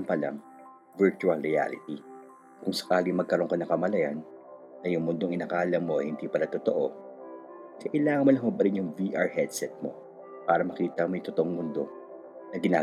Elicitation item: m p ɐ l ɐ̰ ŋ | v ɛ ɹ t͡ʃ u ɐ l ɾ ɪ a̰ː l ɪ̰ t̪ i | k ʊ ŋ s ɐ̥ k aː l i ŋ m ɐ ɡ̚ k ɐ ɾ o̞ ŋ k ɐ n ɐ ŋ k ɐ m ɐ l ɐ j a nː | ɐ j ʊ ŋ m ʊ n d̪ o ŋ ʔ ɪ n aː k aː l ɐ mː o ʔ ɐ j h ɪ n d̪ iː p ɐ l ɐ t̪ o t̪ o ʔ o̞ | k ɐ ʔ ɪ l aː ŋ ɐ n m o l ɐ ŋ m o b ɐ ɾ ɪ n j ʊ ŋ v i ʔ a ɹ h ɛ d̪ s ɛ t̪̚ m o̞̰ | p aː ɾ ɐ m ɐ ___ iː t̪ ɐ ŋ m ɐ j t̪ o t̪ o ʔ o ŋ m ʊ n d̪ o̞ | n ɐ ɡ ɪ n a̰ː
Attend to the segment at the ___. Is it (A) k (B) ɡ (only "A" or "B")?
A